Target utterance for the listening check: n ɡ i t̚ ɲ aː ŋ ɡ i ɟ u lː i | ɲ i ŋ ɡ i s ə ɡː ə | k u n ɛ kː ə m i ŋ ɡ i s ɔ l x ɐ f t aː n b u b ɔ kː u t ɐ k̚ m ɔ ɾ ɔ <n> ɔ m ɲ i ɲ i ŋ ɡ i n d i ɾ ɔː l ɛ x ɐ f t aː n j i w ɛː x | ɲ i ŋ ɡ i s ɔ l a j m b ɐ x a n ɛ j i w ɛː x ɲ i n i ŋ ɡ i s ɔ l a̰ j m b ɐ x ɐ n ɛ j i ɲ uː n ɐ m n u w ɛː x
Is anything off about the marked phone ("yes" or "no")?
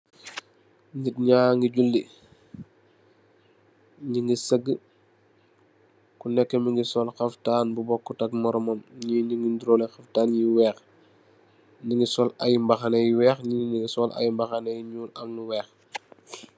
yes